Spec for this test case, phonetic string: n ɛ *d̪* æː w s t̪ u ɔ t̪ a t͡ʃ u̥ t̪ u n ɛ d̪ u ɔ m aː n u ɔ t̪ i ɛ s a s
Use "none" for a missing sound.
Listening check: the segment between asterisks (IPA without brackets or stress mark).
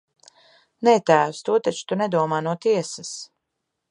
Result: t̪